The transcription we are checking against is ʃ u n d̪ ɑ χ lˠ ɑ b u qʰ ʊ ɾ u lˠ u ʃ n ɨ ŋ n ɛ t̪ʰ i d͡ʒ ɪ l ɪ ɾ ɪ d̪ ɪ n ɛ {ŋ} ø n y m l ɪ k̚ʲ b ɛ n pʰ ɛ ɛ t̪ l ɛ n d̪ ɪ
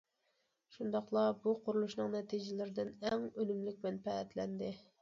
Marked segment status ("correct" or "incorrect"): correct